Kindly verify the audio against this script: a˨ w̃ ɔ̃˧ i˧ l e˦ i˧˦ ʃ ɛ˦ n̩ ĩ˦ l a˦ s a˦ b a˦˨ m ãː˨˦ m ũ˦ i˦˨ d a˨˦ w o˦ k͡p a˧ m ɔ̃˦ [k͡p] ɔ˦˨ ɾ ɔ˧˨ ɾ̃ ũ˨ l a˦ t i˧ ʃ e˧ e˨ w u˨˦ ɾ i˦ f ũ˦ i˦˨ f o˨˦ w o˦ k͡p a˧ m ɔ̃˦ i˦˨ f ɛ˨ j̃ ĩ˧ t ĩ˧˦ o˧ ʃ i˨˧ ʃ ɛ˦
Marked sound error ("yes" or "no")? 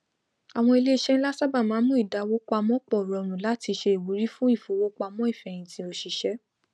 no